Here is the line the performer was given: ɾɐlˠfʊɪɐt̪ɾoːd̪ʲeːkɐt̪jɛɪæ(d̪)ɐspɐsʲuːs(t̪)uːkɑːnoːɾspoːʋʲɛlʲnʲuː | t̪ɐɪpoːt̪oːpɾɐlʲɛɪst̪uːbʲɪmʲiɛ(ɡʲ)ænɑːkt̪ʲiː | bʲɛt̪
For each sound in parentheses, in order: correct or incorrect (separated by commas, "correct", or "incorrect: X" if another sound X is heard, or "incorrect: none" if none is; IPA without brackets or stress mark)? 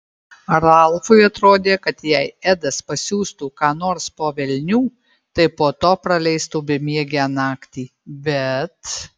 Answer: correct, correct, correct